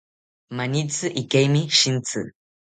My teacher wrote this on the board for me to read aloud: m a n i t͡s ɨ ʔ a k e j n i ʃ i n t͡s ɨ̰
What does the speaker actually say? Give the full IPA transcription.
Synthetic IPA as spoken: m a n i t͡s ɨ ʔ i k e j m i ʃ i n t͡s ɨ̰